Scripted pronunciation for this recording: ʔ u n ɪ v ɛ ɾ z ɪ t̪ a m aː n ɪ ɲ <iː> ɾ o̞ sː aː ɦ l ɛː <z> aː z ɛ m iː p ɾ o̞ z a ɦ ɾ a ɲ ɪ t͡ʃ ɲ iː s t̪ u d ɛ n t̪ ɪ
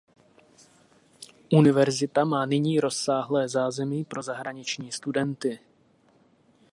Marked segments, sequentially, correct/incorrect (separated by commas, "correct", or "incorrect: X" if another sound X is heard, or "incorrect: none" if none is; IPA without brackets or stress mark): correct, correct